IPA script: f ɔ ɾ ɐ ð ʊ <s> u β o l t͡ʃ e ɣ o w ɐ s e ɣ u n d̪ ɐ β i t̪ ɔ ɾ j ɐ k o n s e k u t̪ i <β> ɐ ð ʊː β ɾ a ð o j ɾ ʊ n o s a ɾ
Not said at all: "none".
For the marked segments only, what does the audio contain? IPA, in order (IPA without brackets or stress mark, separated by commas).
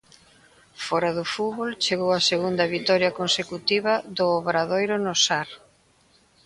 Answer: f, β